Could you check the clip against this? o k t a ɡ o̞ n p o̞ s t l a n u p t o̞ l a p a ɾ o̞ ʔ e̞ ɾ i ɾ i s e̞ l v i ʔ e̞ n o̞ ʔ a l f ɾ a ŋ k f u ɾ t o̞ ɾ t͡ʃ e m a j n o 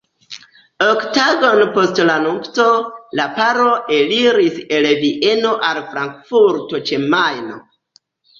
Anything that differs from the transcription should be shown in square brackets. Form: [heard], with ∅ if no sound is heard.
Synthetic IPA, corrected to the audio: o k t a ɡ o̞ n p o̞ s t l a n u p t o̞ l a p a ɾ o̞ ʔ e̞ [l] i ɾ i s e̞ l v i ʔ e̞ n o̞ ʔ a l f ɾ a ŋ k f u ɾ t o̞ [∅] t͡ʃ e m a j n o